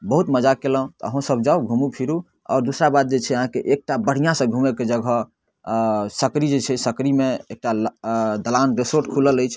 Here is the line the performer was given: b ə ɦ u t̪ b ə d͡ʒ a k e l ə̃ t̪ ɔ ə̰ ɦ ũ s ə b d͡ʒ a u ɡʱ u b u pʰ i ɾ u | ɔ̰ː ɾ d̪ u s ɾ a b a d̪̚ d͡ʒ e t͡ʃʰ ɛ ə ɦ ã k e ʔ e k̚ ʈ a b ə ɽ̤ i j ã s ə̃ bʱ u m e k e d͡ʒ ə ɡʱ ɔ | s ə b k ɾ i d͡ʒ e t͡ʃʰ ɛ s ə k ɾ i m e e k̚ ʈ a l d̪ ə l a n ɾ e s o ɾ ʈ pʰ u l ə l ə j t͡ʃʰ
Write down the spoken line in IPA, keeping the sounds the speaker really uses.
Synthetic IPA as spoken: b ə ɦ u t̪ m ə d͡ʒ a k e l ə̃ t̪ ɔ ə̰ ɦ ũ s ə b d͡ʒ a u ɡʱ u m u pʰ i ɾ u | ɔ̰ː ɾ d̪ u s ɾ a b a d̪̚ d͡ʒ e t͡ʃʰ ɛ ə ɦ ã k e ʔ e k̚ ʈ a b ə ɽ̤ i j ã s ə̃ ɡʱ u m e k e d͡ʒ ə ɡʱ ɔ | s ə k ɾ i d͡ʒ e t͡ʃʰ ɛ s ə k ɾ i m e e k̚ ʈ a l d̪ ə l a n ɾ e s o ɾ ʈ kʰ u l ə l ə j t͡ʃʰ